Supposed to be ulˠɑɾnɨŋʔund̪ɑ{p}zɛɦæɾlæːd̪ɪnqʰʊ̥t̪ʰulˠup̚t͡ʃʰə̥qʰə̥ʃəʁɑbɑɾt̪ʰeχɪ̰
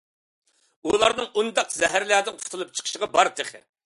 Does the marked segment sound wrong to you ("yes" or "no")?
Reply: yes